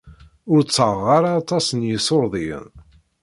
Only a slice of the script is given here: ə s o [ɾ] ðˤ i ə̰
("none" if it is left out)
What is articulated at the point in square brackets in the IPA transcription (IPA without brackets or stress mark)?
ɾ